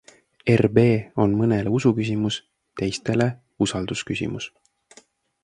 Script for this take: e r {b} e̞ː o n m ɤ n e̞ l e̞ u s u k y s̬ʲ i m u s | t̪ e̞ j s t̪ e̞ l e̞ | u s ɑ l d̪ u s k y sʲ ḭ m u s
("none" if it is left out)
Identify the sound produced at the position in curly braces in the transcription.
b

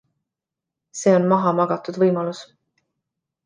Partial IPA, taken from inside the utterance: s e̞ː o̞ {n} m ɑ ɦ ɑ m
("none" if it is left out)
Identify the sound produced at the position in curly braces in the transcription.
n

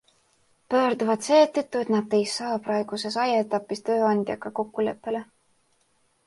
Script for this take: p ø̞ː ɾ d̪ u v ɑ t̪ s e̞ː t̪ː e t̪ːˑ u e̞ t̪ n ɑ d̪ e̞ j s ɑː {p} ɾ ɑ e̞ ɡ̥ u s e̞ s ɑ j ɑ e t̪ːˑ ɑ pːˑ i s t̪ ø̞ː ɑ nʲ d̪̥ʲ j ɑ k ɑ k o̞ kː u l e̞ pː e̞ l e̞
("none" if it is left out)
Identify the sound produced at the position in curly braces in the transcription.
p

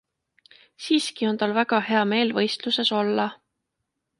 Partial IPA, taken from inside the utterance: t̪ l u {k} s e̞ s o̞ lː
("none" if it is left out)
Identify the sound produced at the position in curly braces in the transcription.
none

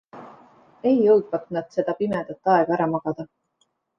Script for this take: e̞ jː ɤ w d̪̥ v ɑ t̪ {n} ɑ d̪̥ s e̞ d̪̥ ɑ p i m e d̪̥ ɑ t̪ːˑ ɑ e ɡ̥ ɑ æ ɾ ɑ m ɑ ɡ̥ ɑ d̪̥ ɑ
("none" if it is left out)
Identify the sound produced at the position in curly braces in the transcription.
n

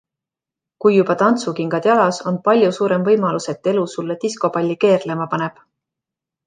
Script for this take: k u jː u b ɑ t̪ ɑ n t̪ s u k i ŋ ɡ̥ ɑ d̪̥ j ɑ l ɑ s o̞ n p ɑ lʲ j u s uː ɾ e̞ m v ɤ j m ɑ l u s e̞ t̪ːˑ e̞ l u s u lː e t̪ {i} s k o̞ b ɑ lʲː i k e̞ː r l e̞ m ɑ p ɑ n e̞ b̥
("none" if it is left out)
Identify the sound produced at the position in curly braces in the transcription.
i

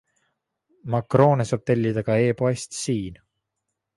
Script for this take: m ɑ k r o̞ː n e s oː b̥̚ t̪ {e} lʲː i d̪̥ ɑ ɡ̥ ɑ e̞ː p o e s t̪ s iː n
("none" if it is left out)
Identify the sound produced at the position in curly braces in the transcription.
e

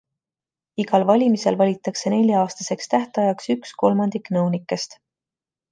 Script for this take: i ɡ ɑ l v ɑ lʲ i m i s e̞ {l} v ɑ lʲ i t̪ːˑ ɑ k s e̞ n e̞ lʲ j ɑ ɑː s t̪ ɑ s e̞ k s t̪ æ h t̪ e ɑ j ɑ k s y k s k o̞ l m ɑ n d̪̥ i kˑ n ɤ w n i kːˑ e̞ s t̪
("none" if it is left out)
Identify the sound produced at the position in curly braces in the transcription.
l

